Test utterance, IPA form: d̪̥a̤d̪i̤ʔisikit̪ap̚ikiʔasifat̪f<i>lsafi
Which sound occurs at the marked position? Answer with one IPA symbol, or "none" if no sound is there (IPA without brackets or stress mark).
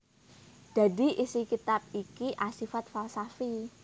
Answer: a